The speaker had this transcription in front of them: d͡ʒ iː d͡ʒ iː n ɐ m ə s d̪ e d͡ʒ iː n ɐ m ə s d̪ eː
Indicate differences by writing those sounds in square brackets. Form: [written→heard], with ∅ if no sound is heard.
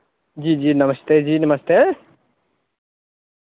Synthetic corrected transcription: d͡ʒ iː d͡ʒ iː n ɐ m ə s [d̪→t̪] e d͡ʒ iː n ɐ m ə s [d̪→t̪] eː